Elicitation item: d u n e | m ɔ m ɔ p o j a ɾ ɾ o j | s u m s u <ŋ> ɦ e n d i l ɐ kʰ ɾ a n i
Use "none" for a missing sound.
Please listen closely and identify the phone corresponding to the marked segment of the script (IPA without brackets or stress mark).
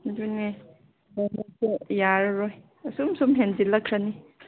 m